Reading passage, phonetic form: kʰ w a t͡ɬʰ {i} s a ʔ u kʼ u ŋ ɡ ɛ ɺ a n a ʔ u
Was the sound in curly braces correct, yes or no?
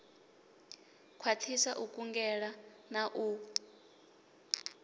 yes